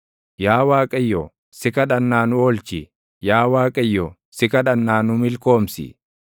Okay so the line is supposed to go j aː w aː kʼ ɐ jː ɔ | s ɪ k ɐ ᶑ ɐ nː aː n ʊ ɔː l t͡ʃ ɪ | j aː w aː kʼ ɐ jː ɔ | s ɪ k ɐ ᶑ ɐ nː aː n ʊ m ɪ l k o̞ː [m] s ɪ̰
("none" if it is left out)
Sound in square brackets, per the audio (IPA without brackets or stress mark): m